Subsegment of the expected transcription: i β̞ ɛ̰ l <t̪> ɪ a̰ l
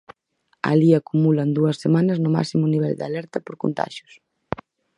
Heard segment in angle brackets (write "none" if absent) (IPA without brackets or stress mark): d̪